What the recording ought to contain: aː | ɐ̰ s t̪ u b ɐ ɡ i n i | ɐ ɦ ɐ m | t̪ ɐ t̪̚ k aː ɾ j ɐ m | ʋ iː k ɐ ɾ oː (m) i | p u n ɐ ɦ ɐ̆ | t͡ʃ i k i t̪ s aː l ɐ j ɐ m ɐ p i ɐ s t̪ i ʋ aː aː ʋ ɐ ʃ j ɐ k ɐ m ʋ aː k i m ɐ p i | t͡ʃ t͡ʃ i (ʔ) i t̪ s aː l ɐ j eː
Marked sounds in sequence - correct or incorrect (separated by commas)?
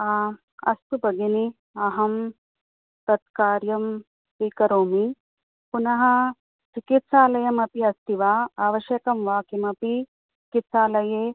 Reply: correct, incorrect